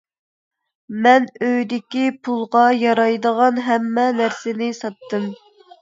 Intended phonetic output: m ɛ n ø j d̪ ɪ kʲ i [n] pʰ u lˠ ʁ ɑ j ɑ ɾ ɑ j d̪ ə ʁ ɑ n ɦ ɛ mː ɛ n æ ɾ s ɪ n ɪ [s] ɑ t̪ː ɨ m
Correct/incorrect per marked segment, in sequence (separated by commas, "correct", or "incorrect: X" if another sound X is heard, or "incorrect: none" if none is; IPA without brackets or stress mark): incorrect: none, correct